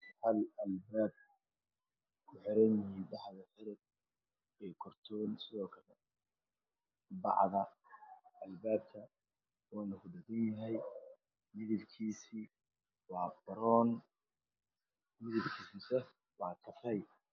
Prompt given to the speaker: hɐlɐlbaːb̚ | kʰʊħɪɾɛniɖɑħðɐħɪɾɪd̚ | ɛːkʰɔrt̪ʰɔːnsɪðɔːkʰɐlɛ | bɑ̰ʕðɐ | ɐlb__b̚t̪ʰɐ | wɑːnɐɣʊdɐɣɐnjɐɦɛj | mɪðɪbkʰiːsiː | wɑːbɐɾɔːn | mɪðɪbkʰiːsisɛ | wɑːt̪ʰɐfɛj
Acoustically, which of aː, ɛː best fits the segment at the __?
aː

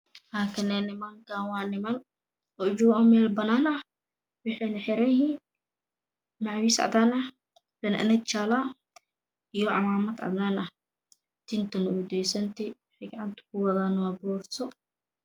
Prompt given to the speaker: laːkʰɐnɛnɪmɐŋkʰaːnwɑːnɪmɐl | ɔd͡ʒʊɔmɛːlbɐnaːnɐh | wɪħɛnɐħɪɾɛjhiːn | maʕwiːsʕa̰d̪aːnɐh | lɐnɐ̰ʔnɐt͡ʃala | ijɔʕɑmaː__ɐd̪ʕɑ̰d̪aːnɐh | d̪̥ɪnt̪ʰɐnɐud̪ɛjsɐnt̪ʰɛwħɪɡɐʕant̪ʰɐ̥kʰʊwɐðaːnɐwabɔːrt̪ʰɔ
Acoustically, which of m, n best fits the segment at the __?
m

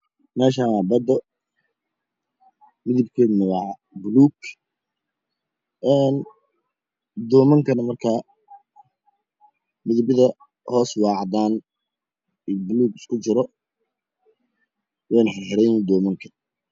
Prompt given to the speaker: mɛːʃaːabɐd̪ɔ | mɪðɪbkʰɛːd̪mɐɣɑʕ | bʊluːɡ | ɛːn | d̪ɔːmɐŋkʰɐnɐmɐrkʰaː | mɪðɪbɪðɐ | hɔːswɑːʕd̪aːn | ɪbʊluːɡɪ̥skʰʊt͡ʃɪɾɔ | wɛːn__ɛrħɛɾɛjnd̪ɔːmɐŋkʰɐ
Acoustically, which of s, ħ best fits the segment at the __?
ħ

